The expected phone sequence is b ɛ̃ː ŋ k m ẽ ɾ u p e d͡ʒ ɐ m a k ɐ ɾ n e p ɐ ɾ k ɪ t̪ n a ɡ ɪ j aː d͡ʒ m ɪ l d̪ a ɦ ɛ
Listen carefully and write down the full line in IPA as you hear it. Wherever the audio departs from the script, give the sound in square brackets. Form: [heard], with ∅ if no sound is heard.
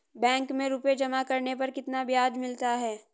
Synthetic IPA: b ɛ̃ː ŋ k m ẽ ɾ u p e d͡ʒ ɐ m a k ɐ ɾ n e p ɐ ɾ k ɪ t̪ n a [b] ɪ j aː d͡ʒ m ɪ l [t̪] a ɦ [ɛː]